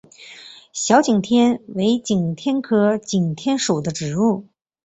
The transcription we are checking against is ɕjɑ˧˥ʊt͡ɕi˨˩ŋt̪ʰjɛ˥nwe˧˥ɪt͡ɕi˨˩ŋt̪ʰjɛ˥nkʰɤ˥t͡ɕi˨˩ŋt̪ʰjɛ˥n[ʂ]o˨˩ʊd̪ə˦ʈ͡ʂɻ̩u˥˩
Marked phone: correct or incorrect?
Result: correct